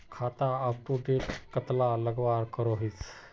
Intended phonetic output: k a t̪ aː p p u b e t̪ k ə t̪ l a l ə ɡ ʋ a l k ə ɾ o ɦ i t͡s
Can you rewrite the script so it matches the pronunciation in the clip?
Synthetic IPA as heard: kʰ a t̪ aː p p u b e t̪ k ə t̪ l a l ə ɡ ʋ a ɾ k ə ɾ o ɦ i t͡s